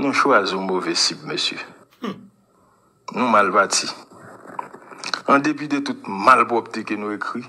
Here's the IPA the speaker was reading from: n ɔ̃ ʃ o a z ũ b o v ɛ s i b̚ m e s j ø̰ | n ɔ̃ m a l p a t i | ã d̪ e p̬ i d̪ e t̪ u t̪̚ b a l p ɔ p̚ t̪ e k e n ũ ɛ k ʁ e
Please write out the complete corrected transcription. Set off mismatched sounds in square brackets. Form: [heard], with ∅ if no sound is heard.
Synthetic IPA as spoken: n [ũ] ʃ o a z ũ [m] o v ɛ s i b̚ m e s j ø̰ | n [ũ] m a l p a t i | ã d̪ e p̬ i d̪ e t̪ u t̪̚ [m] a l p ɔ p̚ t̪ e k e n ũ [e] k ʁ [i]